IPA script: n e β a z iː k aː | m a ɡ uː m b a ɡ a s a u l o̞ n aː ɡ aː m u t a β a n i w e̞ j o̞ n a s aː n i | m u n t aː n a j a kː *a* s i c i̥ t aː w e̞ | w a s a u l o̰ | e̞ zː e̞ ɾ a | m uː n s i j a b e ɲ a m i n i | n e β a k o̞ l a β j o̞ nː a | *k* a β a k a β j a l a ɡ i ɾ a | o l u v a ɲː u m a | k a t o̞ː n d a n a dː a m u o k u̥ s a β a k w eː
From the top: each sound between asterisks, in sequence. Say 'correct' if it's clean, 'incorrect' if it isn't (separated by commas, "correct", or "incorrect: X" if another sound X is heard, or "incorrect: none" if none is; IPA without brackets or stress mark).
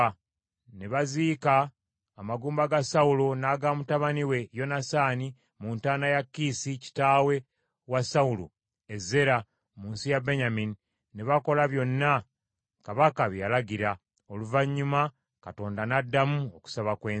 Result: incorrect: i, correct